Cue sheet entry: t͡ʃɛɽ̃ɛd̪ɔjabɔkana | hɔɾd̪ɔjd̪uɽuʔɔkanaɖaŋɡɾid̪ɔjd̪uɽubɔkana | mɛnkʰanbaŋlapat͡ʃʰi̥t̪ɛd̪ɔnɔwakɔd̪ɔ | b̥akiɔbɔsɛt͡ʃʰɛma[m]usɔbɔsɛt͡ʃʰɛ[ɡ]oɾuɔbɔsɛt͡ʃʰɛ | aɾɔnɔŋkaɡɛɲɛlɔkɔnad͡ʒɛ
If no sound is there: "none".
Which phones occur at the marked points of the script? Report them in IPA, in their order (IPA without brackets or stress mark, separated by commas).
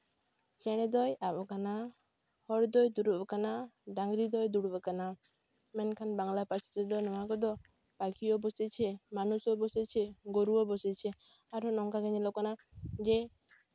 n, ɡ